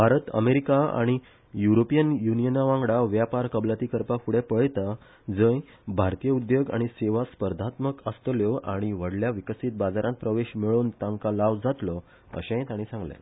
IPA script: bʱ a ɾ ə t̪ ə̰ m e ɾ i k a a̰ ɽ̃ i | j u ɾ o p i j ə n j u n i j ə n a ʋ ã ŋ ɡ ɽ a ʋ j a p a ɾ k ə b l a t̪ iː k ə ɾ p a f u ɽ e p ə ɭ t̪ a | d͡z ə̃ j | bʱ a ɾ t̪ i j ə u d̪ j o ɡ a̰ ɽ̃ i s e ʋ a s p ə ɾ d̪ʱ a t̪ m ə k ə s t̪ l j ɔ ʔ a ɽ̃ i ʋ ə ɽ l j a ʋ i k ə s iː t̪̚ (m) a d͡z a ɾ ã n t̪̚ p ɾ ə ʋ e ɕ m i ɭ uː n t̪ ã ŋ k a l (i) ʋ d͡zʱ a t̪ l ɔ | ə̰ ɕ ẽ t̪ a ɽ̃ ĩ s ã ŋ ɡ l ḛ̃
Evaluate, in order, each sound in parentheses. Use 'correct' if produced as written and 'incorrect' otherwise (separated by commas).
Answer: incorrect, incorrect